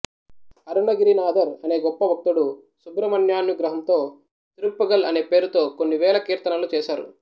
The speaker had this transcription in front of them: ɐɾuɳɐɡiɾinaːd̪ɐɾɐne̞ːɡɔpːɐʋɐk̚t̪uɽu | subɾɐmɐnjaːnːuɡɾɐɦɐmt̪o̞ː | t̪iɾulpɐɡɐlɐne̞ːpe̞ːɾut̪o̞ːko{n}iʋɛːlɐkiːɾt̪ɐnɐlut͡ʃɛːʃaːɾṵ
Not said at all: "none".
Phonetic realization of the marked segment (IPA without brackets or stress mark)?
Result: nː